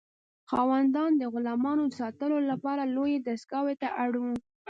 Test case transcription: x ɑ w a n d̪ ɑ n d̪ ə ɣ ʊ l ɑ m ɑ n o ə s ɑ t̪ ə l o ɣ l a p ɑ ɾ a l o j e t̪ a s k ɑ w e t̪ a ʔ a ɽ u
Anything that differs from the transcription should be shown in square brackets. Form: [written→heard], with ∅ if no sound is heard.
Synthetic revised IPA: x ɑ w a n d̪ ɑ n d̪ ə ɣ ʊ l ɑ m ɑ n o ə s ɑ t̪ ə l o [ɣ→∅] l a p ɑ ɾ a l o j e [t̪→d̪] a s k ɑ w e t̪ a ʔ a ɽ u